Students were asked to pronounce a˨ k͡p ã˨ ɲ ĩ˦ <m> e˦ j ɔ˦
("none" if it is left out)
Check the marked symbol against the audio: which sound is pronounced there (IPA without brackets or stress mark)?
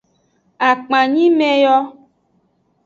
m